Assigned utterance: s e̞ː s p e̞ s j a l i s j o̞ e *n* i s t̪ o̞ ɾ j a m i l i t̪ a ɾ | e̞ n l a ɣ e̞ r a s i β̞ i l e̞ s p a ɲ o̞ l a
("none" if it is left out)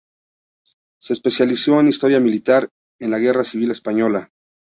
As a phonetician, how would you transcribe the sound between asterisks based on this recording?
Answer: n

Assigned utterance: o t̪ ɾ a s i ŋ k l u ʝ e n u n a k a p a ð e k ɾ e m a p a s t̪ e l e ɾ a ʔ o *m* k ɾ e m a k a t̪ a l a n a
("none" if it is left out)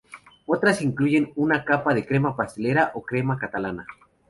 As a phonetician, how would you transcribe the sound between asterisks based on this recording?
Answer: none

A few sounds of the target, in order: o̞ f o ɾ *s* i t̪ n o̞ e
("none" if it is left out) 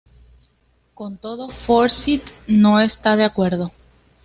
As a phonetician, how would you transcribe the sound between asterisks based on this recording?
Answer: s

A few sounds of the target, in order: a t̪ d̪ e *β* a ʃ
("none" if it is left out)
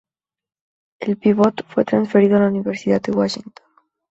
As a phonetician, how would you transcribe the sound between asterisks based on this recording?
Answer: w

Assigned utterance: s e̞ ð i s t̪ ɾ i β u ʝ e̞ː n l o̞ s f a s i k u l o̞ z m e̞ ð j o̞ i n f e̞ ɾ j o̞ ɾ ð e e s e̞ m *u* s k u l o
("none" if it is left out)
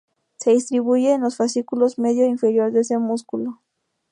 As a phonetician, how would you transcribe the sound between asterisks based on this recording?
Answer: u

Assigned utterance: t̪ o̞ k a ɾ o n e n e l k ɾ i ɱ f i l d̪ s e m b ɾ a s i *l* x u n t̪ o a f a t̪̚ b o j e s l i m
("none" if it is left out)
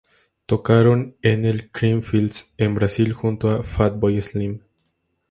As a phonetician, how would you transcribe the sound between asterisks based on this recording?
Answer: l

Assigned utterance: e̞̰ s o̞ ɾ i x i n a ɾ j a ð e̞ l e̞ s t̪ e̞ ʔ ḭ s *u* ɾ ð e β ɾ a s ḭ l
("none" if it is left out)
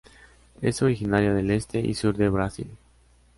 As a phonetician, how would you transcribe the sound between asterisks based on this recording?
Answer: u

